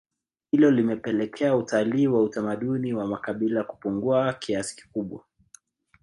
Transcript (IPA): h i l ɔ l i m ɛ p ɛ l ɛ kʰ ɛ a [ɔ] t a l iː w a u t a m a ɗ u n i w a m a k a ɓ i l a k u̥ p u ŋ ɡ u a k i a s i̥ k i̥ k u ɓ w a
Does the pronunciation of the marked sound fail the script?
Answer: yes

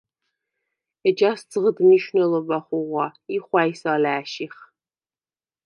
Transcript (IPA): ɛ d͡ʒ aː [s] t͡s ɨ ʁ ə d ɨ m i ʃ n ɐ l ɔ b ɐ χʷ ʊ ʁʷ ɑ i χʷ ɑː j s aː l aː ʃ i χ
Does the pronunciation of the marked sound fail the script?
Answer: no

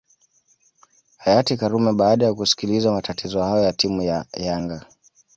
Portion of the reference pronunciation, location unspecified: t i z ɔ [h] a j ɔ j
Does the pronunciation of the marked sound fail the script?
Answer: no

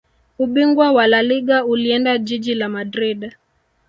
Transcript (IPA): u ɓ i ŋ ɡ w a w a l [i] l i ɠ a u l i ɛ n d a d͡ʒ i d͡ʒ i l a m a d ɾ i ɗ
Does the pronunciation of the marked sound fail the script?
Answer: yes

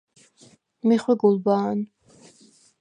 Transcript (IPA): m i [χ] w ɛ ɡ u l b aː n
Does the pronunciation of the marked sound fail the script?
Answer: no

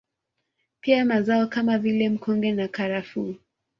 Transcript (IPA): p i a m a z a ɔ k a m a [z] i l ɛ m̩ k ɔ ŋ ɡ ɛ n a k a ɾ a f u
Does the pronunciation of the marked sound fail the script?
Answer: yes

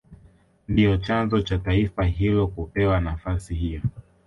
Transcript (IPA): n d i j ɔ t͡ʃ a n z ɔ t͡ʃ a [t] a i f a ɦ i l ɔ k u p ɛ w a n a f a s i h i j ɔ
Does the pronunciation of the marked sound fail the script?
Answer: no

